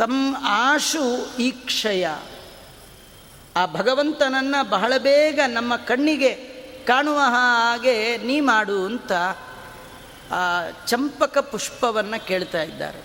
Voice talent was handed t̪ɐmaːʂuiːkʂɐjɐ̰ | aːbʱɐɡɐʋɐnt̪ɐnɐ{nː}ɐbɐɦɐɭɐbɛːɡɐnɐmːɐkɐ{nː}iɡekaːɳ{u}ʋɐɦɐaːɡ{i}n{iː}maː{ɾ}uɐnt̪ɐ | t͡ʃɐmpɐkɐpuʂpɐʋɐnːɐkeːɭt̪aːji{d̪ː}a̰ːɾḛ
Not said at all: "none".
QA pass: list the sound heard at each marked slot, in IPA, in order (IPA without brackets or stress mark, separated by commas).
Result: nː, ɳː, u, e, iː, ɽ, d̪ː